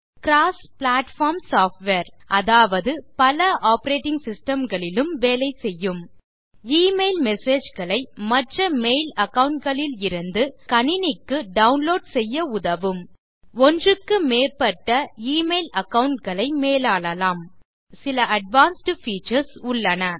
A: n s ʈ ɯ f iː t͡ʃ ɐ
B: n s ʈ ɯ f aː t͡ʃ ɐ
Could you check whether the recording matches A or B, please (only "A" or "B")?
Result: A